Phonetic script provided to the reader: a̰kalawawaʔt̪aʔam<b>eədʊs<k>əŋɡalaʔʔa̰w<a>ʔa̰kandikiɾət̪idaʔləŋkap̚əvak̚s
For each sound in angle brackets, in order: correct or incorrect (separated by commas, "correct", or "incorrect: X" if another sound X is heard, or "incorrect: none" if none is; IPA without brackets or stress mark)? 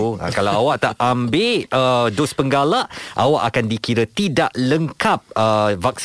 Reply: correct, incorrect: p, correct